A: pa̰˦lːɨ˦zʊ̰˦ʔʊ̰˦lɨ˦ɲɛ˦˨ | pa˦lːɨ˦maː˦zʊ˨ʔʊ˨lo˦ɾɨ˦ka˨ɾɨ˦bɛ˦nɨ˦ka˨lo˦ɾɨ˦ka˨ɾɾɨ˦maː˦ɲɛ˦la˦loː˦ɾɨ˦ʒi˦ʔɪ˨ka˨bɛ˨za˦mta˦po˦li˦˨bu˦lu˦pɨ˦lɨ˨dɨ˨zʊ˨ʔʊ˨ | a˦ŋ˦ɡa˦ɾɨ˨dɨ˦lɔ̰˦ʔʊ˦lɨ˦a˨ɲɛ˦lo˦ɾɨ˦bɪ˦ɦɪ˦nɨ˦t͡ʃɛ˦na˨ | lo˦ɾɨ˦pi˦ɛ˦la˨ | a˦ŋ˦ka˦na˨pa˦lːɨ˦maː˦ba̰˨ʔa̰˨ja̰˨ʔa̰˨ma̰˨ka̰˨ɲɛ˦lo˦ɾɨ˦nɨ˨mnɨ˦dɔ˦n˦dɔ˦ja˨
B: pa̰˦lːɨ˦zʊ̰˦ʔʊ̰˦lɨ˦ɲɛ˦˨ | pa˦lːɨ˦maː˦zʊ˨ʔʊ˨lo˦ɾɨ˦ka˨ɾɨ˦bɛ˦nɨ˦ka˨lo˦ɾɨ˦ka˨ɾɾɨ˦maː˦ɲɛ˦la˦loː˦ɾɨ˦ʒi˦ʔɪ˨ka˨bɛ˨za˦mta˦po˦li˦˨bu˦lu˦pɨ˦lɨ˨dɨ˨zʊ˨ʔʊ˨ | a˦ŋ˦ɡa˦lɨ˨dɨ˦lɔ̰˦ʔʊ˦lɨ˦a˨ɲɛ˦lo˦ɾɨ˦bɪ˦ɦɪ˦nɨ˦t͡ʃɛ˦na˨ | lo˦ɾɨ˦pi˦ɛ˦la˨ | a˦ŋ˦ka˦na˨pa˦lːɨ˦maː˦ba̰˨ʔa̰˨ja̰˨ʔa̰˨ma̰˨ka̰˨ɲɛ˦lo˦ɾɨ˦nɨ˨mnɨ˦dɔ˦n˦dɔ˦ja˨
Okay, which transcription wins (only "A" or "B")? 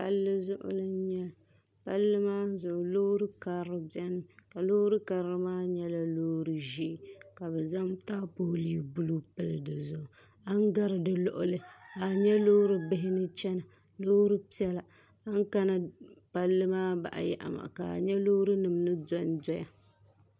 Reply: A